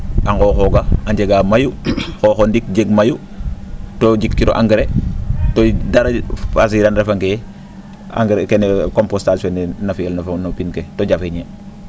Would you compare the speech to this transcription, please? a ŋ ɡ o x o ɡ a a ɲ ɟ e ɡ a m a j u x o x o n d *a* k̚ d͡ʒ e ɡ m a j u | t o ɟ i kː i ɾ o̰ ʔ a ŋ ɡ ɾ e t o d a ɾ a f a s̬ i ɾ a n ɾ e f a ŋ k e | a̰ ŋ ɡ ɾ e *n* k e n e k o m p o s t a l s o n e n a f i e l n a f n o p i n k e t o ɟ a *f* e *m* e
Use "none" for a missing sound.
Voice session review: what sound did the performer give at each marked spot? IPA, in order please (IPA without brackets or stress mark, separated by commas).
i, none, f, ɲ